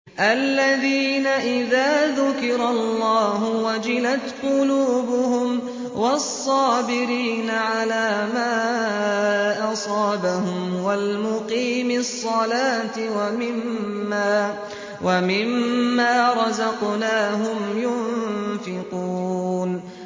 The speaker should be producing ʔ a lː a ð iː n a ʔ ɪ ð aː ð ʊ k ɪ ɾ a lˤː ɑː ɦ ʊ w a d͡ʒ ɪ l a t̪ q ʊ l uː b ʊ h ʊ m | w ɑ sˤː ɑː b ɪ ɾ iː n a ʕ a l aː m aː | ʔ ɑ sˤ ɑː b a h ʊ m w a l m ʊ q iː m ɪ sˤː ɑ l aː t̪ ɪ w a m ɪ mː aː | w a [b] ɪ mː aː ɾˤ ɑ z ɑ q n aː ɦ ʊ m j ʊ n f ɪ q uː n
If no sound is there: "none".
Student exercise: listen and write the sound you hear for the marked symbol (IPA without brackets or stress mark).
m